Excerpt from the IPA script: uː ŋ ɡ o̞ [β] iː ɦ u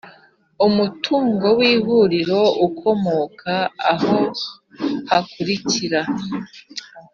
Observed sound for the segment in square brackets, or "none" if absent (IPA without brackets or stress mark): w